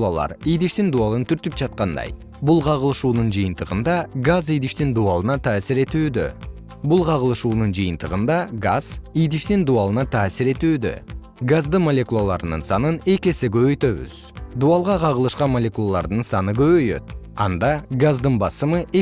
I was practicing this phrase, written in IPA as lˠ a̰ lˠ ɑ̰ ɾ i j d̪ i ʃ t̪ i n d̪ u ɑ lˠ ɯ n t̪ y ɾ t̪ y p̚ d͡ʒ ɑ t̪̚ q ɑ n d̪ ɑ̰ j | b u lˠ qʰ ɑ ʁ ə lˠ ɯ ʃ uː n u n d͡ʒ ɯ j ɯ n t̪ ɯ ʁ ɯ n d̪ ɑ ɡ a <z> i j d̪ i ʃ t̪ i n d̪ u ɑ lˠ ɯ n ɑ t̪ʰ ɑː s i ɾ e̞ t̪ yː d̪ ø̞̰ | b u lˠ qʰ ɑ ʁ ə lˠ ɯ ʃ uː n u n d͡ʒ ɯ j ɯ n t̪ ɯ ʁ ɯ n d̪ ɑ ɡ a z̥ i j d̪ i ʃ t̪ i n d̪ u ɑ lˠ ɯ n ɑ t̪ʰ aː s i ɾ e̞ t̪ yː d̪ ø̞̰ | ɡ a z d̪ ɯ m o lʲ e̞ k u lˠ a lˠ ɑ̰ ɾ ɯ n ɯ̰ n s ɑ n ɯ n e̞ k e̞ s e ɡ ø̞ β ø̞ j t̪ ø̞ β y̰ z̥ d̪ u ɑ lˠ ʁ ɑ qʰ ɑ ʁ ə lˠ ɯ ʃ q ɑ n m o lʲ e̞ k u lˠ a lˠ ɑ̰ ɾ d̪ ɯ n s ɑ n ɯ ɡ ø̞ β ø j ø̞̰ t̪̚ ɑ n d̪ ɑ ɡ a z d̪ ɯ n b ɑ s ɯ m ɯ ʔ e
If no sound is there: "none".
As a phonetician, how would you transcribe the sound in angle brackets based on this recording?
z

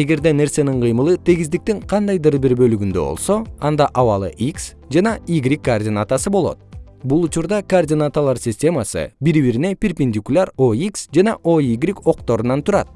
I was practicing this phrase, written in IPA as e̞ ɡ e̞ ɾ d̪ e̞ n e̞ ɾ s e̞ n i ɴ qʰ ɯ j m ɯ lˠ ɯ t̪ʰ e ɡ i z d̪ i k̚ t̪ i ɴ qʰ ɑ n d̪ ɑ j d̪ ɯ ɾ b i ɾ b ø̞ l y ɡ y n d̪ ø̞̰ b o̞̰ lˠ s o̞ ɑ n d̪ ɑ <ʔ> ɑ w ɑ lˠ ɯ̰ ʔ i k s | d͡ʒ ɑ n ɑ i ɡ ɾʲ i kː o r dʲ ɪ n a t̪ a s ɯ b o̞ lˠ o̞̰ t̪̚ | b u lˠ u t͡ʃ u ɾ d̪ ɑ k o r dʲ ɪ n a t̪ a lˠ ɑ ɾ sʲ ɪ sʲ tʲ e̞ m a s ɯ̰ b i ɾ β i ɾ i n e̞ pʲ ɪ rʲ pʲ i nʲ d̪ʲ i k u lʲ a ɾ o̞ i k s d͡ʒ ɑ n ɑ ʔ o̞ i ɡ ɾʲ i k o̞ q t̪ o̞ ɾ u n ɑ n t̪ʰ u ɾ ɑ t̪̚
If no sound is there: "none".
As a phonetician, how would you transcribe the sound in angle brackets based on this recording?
ʔ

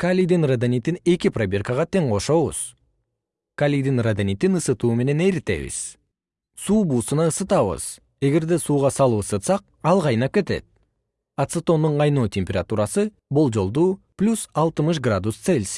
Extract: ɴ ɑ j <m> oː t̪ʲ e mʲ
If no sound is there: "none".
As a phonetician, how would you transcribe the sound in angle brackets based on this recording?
n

